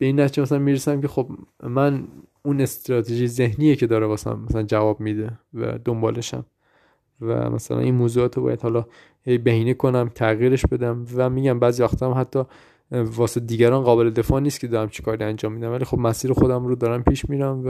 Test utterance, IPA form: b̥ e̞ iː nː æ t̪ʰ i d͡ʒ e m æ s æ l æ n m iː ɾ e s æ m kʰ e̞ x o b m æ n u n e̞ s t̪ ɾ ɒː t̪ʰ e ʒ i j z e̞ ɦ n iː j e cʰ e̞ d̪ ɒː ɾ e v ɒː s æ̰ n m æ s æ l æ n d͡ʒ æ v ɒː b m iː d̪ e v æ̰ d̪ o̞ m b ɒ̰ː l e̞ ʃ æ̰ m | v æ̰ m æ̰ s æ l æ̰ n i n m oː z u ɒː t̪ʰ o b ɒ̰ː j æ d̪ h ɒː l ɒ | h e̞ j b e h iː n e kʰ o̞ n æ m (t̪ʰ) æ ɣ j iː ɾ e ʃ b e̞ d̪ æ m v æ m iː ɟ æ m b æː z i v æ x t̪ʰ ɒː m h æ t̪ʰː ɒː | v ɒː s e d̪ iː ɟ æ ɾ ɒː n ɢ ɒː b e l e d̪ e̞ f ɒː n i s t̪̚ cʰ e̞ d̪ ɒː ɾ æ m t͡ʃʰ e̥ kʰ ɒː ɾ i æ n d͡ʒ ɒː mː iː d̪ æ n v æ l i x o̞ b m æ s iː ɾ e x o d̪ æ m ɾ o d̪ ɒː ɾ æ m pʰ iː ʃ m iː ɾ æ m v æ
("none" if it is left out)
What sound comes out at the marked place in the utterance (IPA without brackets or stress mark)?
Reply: t̪ʰ